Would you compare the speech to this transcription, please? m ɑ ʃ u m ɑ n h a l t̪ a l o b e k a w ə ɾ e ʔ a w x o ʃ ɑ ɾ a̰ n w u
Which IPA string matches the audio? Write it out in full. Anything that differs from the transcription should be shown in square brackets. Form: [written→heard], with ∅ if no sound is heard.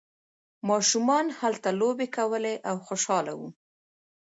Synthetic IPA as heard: m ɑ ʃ u m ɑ n h a l t̪ a l o b e k a w ə [ɾ→l] e ʔ a w x o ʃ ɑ [ɾ→l] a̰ [n→∅] w u